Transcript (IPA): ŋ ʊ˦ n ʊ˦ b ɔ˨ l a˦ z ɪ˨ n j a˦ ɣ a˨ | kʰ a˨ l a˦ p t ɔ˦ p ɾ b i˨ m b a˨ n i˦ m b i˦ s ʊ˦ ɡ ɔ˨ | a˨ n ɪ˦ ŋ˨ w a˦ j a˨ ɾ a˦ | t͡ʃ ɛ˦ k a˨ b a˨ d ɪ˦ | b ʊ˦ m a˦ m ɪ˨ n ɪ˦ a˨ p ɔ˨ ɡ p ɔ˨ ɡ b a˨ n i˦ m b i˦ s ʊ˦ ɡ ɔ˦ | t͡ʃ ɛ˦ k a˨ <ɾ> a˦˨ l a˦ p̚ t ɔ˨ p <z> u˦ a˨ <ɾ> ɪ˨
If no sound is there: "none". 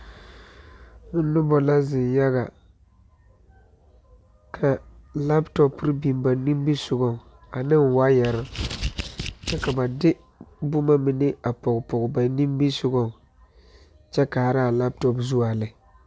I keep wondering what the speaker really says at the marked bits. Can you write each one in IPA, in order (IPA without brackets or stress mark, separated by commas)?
ɾ, z, l